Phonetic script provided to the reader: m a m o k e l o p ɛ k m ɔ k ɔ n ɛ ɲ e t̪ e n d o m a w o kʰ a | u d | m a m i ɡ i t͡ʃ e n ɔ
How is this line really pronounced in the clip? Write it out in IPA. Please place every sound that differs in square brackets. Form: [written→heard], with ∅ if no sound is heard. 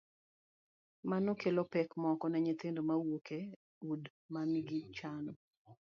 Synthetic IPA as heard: m a [m→n] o k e l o p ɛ k m ɔ k ɔ n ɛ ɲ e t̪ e n d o m a w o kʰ [a→e] | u d | m a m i ɡ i t͡ʃ [e→a] n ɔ